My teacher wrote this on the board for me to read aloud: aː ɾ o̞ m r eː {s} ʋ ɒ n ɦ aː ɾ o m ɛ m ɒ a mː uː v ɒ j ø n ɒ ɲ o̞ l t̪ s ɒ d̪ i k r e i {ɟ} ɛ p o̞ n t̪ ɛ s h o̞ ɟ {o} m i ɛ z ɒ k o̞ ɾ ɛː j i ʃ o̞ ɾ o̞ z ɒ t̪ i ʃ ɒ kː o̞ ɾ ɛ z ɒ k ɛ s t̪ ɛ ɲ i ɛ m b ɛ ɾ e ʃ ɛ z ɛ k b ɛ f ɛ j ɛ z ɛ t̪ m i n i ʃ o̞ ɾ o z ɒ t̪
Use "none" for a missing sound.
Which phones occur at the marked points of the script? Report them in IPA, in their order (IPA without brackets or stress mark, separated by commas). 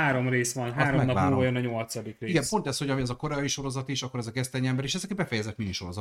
s, ɡ, ɒ